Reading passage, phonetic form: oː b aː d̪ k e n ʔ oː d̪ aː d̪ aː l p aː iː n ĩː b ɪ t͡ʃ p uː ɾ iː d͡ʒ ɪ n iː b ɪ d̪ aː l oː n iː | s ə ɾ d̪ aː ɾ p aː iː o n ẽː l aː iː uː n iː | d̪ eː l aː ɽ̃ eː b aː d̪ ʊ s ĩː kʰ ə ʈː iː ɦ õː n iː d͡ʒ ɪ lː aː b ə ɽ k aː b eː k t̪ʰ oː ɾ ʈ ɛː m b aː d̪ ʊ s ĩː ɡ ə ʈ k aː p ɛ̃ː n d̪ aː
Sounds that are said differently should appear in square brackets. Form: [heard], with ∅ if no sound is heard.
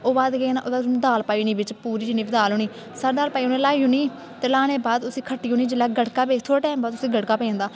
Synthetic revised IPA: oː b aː d̪ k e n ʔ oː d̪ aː d̪ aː l p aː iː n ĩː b ɪ t͡ʃ p uː ɾ iː d͡ʒ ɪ n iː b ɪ d̪ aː l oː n iː | s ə ɾ d̪ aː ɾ p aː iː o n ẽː l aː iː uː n iː | [t̪] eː l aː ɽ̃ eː b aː d̪ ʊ s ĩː kʰ ə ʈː iː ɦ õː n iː d͡ʒ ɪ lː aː [ɡ] ə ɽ k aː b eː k t̪ʰ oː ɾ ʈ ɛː m b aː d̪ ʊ s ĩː ɡ ə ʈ k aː p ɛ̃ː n d̪ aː